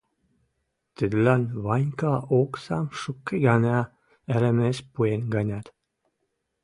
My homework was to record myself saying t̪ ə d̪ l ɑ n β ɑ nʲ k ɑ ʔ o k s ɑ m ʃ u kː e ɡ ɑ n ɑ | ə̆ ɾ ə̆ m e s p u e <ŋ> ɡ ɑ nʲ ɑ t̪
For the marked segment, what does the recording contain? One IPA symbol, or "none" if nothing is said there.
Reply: n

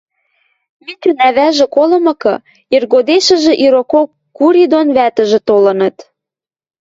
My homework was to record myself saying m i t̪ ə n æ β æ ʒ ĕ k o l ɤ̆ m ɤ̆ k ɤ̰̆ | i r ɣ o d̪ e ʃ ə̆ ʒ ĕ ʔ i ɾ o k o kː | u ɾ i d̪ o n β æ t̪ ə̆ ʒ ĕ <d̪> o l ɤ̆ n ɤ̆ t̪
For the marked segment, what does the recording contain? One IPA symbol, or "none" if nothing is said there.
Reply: t̪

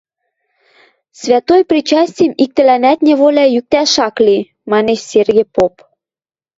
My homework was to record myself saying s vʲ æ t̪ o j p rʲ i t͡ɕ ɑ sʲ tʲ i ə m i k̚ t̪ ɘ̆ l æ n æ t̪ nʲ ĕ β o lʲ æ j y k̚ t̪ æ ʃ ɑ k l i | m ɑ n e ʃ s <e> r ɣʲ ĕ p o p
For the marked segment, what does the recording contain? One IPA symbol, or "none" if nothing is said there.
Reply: e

